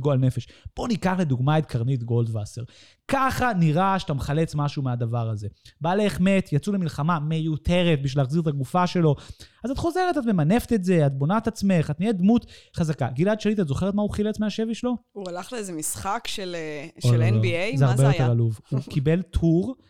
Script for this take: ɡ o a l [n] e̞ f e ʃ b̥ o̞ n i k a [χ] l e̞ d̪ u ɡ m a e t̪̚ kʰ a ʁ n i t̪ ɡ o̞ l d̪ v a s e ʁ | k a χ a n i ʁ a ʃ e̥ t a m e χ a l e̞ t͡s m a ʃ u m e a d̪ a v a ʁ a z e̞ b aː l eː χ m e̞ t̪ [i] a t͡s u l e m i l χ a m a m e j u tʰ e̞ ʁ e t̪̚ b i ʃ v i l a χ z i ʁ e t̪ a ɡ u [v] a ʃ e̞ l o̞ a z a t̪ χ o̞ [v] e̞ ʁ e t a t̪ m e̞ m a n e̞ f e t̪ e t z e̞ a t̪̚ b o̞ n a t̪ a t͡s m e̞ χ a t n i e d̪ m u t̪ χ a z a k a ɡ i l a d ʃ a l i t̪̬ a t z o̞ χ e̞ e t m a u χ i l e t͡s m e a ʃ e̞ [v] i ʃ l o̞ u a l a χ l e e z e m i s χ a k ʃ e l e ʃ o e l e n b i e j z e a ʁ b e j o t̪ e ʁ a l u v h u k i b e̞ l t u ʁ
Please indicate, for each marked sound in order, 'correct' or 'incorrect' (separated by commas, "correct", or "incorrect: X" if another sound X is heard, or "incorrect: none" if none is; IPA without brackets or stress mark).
correct, correct, incorrect: j, incorrect: f, incorrect: z, correct